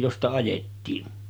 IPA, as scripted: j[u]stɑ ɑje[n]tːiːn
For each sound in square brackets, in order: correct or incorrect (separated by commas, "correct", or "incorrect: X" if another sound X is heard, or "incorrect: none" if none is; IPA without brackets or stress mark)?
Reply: incorrect: o, incorrect: none